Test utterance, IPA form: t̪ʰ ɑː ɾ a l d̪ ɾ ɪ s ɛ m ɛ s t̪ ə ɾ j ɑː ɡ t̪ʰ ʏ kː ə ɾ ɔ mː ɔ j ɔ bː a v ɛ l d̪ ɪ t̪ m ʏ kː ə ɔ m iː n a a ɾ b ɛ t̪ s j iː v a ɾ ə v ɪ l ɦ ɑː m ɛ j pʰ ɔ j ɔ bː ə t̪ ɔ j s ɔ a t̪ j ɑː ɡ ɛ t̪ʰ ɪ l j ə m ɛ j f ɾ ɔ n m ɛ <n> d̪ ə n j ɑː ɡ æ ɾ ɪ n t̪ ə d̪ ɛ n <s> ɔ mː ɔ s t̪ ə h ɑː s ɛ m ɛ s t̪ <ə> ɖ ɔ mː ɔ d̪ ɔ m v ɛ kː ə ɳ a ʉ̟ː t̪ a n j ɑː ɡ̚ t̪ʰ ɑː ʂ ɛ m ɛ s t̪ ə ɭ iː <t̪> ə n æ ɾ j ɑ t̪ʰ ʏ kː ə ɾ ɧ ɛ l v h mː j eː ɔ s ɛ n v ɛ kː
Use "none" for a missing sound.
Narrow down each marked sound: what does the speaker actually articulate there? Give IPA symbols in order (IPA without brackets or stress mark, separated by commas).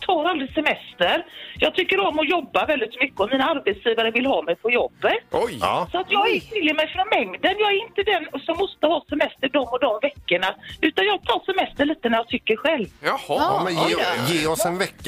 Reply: ŋ, s, ə, t̪